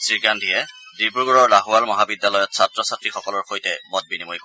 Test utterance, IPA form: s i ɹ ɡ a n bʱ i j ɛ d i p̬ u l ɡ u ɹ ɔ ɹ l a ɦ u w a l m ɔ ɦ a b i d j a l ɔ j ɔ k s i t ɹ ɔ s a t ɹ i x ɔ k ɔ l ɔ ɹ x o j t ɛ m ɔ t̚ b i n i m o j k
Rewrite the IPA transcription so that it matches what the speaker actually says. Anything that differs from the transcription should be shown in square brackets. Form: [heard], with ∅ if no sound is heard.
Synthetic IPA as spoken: s i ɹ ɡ a n [dʱ] i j ɛ d i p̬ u [ɹ] ɡ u ɹ ɔ ɹ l a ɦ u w a l m ɔ ɦ a b i d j a l ɔ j ɔ [t] s [a] t ɹ ɔ s a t ɹ i x ɔ k ɔ l ɔ ɹ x o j t ɛ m ɔ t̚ b i n i m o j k

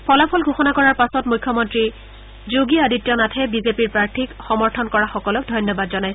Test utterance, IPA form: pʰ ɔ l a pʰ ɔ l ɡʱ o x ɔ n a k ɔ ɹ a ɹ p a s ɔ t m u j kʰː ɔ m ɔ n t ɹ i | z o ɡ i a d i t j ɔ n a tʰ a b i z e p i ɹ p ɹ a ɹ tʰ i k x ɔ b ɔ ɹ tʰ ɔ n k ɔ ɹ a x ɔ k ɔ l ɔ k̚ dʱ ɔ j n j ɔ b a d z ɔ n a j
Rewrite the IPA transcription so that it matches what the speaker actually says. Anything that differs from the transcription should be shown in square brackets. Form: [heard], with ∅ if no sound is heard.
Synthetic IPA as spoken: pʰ ɔ l a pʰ ɔ l ɡʱ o x ɔ n a k ɔ ɹ a ɹ p a s ɔ t m u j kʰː ɔ m ɔ n t ɹ i | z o ɡ i a d i t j ɔ n a tʰ [ɛ] b i z e p i ɹ p ɹ a ɹ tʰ i k x ɔ [m] ɔ ɹ tʰ ɔ n k ɔ ɹ a x ɔ k ɔ l ɔ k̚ dʱ ɔ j n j ɔ b a d z ɔ n a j

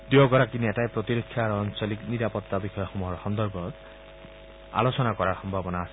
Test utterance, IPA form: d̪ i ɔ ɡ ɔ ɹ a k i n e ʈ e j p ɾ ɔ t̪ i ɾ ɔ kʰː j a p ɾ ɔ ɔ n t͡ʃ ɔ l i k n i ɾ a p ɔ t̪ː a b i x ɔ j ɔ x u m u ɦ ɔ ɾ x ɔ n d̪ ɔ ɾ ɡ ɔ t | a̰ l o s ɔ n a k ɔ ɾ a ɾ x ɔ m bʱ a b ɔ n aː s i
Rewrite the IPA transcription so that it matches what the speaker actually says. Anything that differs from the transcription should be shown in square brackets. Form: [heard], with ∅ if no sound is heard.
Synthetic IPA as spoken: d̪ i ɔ ɡ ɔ [ɾ] a k i n e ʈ [a] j p ɾ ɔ t̪ i ɾ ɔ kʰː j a [∅] ɾ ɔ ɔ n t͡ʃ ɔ l i k n i ɾ a p ɔ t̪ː a b i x ɔ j ɔ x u m u ɦ ɔ ɾ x ɔ n d̪ ɔ ɾ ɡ ɔ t | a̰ l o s ɔ n a k ɔ ɾ a ɾ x ɔ m bʱ a b ɔ n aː s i

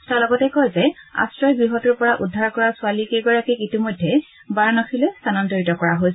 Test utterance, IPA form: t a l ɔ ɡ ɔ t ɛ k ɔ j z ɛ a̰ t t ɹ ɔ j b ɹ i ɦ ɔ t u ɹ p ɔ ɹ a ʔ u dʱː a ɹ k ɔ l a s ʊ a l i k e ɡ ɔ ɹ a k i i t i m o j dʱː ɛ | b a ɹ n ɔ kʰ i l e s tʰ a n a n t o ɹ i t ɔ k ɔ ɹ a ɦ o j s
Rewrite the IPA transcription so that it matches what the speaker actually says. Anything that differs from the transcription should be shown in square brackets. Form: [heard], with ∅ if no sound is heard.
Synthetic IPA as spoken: t a l ɔ ɡ ɔ t ɛ k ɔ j z ɛ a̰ [s] t ɹ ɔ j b ɹ i ɦ ɔ t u ɹ p ɔ ɹ a ʔ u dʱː a ɹ k ɔ [ɹ] a s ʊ a l i k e ɡ ɔ ɹ a k i i t i m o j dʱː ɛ | b a ɹ n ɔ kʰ i l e s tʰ a n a n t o ɹ i t ɔ k ɔ ɹ a ɦ o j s

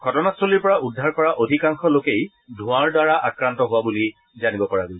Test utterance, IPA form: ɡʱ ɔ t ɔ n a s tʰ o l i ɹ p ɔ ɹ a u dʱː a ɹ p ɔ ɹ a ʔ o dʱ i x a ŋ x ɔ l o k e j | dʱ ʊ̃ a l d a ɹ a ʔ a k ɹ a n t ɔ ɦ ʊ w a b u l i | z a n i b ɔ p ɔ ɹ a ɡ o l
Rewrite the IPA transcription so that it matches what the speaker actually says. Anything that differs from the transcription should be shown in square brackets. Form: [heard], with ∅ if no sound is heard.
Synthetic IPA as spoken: ɡʱ ɔ t ɔ n a s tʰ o l i ɹ p ɔ ɹ a u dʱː a ɹ [k] ɔ ɹ a ʔ o dʱ i [k] a ŋ x ɔ l o k e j | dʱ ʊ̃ a [ɹ] d a ɹ a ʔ a k ɹ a n t ɔ ɦ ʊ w a b u l i | z a n i b ɔ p ɔ ɹ a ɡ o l

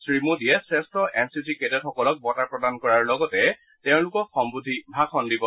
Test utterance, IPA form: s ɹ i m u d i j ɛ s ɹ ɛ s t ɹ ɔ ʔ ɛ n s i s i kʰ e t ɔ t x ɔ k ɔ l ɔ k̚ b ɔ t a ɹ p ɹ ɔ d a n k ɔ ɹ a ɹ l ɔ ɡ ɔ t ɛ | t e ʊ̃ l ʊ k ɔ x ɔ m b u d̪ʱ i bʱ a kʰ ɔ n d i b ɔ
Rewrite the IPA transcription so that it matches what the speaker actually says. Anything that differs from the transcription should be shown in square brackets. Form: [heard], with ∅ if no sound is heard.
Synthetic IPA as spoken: s ɹ i m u d i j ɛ s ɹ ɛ s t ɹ ɔ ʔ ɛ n s i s i [k] e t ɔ t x ɔ k ɔ l ɔ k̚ b ɔ t a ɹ p ɹ ɔ d a n k ɔ ɹ a ɹ l ɔ ɡ ɔ t ɛ | t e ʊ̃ l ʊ k ɔ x ɔ m b u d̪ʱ i bʱ a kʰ ɔ n d i b ɔ

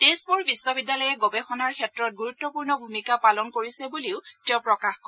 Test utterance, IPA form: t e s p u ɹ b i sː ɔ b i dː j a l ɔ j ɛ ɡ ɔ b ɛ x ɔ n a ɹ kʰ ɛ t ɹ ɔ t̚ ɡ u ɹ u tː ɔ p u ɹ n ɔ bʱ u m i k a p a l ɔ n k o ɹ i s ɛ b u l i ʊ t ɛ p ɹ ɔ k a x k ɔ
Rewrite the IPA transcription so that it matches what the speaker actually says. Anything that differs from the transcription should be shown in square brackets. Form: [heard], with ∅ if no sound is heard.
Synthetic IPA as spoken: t e s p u ɹ b i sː ɔ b i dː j a l ɔ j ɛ ɡ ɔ b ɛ x ɔ n a ɹ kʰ ɛ t ɹ ɔ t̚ ɡ u ɹ u tː ɔ p u ɹ n ɔ bʱ u m i k a p a l ɔ n k o ɹ i s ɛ b u l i ʊ t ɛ p ɹ ɔ k a x k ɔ

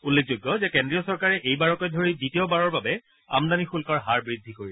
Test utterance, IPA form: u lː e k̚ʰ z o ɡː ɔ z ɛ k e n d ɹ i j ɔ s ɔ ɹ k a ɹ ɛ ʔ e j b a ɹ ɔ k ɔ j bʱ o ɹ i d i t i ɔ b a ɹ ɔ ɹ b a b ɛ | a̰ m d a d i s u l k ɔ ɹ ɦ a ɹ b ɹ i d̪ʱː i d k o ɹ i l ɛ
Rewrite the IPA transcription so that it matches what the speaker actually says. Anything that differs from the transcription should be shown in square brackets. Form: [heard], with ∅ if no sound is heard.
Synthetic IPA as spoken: u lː e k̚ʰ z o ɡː ɔ z ɛ k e n d ɹ i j ɔ s ɔ ɹ k a ɹ ɛ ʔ e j b a ɹ ɔ k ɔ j [dʱ] o ɹ i d i t i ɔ b a ɹ ɔ ɹ b a b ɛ | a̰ m d a [n] i [x] u l k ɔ ɹ ɦ a ɹ b ɹ i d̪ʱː i [∅] k o ɹ i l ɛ

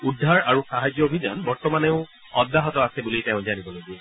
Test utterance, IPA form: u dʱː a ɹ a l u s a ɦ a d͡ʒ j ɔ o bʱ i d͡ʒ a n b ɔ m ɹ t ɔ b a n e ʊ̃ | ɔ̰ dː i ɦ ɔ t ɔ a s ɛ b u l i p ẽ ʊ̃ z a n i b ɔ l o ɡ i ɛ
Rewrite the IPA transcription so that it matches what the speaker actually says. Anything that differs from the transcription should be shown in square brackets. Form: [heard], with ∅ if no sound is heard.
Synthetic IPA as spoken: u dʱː a ɹ a [ɹ] u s a ɦ a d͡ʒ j ɔ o bʱ i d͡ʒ a n b ɔ [∅] ɹ t ɔ [m] a n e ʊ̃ | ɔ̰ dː [a] ɦ ɔ t ɔ a s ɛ b u l i [t] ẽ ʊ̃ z a n i b ɔ l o ɡ i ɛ

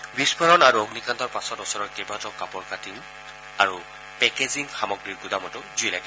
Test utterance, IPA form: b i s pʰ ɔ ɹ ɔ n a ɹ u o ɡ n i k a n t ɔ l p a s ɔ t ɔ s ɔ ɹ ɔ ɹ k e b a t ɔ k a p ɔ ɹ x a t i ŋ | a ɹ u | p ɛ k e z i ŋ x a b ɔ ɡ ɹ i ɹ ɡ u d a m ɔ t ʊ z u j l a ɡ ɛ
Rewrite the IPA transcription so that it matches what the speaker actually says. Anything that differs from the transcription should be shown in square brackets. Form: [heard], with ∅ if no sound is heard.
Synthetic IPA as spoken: b i s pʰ ɔ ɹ ɔ n a ɹ u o ɡ n i k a n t ɔ [ɹ] p a s ɔ t ɔ s ɔ ɹ ɔ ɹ k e b a t ɔ k a p ɔ ɹ [k] a t i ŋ | a ɹ u | p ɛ k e z i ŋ x a [m] ɔ ɡ ɹ i ɹ ɡ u d a m ɔ t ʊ z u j l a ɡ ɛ

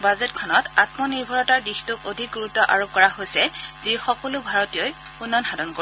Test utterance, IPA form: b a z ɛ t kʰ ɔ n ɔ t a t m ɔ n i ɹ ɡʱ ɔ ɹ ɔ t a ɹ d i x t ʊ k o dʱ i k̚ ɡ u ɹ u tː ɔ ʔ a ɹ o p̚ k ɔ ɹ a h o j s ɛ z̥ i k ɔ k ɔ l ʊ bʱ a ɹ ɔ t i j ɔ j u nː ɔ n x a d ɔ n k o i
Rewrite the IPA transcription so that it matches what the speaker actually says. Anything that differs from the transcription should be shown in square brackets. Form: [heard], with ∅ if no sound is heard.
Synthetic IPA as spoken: b a z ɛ t kʰ ɔ n ɔ t a t m ɔ n i ɹ [bʱ] ɔ ɹ ɔ t a ɹ d i x t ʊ k o dʱ i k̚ ɡ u ɹ u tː ɔ ʔ a ɹ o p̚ k ɔ ɹ a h o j s ɛ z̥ i [x] ɔ k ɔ l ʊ bʱ a ɹ ɔ t i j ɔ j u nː ɔ n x a d ɔ n k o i

